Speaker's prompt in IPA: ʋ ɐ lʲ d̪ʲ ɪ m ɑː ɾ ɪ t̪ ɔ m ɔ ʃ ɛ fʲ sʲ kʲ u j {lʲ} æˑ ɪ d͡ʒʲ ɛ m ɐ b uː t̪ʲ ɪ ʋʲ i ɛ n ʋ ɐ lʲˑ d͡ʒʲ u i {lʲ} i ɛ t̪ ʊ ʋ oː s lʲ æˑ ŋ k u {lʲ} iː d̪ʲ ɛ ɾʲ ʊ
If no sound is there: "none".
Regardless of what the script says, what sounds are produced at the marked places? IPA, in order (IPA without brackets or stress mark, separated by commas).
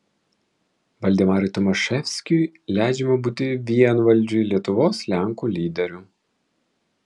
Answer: lʲ, lʲ, lʲ